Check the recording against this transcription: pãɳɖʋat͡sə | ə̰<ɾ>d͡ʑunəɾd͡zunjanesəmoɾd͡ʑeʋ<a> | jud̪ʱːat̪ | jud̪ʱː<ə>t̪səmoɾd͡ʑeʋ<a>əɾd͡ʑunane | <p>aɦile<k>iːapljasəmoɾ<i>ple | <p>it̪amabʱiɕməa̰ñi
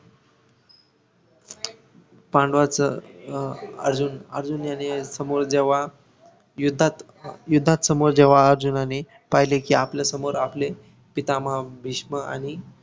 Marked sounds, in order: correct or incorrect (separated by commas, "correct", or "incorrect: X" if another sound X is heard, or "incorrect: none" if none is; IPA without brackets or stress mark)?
correct, correct, incorrect: a, correct, correct, correct, incorrect: a, correct